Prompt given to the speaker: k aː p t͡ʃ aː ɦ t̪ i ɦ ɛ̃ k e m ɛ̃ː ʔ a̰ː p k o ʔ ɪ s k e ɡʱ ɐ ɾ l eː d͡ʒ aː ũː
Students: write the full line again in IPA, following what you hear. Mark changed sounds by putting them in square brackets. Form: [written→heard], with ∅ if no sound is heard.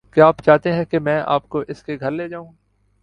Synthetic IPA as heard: k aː p t͡ʃ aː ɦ t̪ [i→e] ɦ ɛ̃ k e m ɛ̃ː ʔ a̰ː p k o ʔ ɪ s k e ɡʱ ɐ ɾ l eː d͡ʒ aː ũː